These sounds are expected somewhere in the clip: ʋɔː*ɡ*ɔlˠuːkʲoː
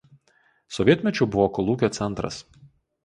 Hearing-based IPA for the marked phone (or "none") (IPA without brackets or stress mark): k